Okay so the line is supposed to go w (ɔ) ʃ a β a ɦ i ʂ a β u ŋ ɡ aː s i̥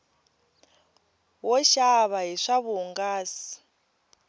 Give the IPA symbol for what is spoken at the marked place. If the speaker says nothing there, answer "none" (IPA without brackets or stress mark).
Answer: ɔ